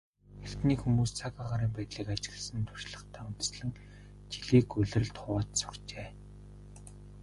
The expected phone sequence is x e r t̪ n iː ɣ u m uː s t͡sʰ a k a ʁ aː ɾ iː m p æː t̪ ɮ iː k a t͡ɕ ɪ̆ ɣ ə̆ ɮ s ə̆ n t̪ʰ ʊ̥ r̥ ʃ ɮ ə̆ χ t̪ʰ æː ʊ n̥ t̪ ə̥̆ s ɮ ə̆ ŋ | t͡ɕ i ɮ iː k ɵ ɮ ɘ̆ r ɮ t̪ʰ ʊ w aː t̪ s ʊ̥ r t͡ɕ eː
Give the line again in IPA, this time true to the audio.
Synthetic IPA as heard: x e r t̪ n iː x u m uː s t͡sʰ a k a ʁ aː ɾ iː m p æː t̪ ɮ iː k a t͡ɕ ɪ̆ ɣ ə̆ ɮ s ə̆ n t̪ʰ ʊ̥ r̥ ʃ ɮ ə̆ χ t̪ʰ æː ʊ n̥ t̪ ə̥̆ s ɮ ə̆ ŋ | t͡ɕ i ɮ iː k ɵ ɮ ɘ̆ r ɮ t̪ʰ ʊ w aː t̪ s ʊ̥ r t͡ɕ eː